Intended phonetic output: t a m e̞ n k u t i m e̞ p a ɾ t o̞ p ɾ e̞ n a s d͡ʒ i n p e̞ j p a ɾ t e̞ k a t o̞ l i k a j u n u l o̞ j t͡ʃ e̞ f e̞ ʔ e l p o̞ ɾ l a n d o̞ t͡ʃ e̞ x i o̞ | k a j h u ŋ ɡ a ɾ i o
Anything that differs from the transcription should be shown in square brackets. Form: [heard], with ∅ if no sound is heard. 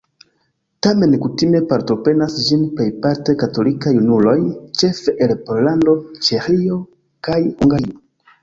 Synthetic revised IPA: t a m e̞ n k u t i m e̞ p a ɾ t o̞ p ɾ e̞ n a s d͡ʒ i n p e̞ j p a ɾ t e̞ k a t o̞ l i k a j u n u l o̞ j t͡ʃ e̞ f e̞ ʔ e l p o̞ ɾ l a n d o̞ t͡ʃ e̞ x i o̞ | k a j h u ŋ ɡ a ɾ i o